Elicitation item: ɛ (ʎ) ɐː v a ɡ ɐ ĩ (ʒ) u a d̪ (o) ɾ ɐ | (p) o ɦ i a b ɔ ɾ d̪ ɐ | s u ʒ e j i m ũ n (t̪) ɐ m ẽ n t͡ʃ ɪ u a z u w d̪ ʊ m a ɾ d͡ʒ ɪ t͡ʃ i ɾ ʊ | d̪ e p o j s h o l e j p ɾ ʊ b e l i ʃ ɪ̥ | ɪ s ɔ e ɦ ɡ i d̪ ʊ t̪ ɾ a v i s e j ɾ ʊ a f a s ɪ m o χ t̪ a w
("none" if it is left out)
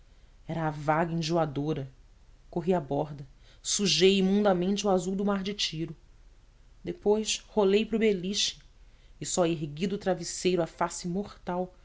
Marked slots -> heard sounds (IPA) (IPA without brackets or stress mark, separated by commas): ɾ, ʒ, o, k, d̪